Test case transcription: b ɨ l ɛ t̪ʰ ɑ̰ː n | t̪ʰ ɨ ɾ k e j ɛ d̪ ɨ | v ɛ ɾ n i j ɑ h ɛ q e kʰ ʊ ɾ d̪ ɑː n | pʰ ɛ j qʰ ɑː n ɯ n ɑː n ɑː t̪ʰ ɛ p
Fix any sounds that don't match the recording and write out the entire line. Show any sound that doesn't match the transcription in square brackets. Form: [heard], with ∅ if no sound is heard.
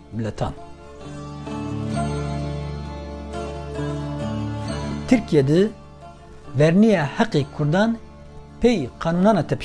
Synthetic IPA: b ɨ l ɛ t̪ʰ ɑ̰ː n | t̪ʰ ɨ ɾ k [i] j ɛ d̪ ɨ | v ɛ ɾ n i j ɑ h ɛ q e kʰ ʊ ɾ d̪ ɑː n | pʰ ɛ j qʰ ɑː n [u] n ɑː n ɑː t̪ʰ ɛ p